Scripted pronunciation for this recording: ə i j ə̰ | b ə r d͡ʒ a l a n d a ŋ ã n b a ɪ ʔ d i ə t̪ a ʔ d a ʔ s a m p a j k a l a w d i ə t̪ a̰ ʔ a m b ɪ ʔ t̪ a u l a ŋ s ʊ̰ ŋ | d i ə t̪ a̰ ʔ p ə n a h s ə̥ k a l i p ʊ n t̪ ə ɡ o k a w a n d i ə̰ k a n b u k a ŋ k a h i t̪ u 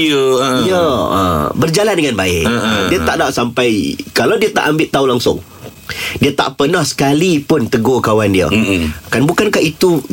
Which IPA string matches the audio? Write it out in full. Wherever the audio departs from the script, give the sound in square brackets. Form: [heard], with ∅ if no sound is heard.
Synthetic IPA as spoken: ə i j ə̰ | b ə r d͡ʒ a l a n d [ə] ŋ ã n b a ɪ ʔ d i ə t̪ a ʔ d a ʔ s a m p a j k a l a w d i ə t̪ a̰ ʔ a m b ɪ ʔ t̪ a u l a ŋ s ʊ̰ ŋ | d i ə t̪ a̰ ʔ p ə n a h s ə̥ k a l i p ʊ n t̪ ə ɡ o k a w a n d i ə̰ k a n b u k a [n] k a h i t̪ u